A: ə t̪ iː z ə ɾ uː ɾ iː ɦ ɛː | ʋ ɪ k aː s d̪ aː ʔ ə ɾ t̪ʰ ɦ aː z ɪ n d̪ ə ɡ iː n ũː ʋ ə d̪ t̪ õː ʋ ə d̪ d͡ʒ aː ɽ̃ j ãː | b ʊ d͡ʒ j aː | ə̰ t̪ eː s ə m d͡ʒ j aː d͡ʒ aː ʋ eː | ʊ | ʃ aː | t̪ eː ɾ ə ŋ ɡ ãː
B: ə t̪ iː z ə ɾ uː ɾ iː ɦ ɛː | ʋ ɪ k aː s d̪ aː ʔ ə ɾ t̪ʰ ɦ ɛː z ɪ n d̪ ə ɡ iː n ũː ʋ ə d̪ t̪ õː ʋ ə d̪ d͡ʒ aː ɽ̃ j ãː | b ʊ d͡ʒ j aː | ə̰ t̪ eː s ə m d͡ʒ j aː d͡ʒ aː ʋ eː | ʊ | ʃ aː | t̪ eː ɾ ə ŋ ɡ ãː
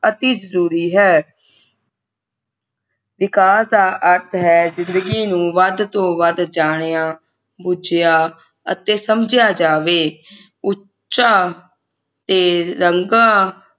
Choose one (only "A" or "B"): B